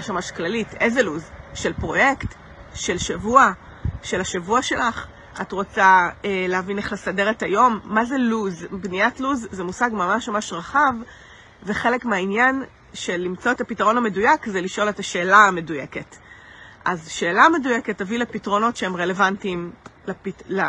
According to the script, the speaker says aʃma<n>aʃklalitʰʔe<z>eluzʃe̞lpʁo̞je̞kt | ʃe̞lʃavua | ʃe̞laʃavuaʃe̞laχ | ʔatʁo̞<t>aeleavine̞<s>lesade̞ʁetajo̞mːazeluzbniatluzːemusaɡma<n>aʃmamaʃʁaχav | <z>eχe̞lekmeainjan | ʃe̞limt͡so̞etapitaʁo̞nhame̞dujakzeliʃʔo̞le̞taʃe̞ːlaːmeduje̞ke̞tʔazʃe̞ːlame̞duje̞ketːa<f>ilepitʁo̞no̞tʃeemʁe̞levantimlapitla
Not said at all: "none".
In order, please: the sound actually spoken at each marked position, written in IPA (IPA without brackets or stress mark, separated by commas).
m, z, t͡s, χ, m, v, v